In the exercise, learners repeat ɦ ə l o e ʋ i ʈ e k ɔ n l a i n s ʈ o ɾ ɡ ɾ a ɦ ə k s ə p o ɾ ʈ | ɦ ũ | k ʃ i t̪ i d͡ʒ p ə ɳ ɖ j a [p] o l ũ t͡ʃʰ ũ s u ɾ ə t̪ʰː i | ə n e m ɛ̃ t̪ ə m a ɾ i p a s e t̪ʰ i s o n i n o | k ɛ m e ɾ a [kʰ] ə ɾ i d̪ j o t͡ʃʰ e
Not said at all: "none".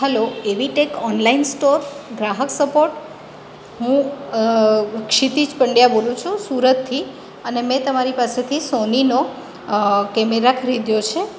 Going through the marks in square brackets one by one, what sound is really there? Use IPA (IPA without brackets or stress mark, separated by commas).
b, kʰ